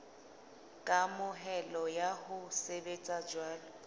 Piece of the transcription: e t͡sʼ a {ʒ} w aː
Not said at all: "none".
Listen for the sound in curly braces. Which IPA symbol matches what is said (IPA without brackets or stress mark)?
d͡ʒ